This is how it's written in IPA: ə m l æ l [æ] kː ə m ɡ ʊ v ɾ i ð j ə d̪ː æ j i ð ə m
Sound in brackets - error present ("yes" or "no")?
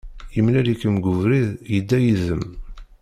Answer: yes